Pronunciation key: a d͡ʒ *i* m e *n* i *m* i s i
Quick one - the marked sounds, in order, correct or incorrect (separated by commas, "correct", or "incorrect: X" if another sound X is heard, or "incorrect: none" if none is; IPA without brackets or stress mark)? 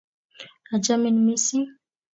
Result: incorrect: a, correct, correct